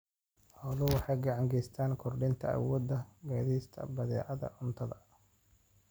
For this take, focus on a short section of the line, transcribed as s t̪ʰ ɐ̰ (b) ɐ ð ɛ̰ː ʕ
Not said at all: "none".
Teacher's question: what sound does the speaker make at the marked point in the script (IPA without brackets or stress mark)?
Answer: b